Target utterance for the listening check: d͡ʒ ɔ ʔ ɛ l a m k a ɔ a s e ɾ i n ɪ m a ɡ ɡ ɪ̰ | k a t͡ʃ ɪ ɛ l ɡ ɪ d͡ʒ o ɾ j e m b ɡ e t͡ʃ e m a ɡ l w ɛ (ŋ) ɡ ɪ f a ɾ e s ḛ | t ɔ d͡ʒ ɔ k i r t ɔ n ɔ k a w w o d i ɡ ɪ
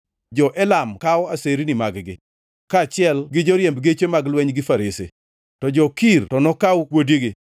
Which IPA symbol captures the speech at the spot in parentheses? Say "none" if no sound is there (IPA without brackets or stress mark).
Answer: ɲ